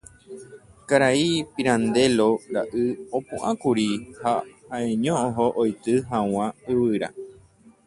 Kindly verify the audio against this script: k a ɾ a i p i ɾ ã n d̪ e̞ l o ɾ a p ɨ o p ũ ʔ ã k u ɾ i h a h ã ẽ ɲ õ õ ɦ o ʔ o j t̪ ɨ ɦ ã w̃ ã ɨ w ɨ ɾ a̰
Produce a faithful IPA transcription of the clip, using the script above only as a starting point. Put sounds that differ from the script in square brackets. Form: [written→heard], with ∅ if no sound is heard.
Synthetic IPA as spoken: k a ɾ a i p i ɾ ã n d̪ e̞ l o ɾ a [p→ʔ] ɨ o p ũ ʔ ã k u ɾ i h a h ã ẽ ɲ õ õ ɦ o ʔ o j t̪ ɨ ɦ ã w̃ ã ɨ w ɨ ɾ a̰